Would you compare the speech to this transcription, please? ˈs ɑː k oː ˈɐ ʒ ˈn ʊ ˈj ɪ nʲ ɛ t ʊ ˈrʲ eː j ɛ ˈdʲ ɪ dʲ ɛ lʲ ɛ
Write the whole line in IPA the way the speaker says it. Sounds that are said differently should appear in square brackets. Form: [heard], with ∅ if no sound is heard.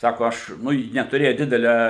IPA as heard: ˈs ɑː k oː ˈɐ [ʃ] ˈn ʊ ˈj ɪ nʲ ɛ t ʊ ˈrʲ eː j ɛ ˈdʲ ɪ dʲ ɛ lʲ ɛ